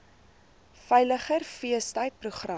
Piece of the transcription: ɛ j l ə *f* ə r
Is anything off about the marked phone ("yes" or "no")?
yes